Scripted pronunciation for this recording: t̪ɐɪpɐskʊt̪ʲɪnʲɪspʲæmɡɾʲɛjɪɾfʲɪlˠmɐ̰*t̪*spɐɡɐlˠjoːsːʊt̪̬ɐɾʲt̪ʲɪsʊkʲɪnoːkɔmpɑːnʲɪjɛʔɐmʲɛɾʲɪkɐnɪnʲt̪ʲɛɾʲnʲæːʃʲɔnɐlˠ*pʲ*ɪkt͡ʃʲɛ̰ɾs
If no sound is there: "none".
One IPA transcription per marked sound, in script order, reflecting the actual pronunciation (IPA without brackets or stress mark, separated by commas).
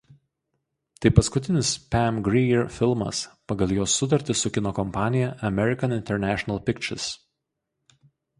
none, pʲ